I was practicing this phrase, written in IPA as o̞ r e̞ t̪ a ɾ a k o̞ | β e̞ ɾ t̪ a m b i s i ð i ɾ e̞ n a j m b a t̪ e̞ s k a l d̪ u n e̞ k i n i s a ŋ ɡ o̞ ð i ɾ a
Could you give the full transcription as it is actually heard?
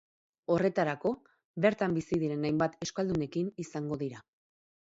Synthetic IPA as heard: o̞ r e̞ t̪ a ɾ a k o̞ | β e̞ ɾ t̪ a m b i s i ð i ɾ e̞ n a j m b a t̪ e̞ s k a l d̪ u n e̞ k i n i s a ŋ ɡ o̞ ð i ɾ a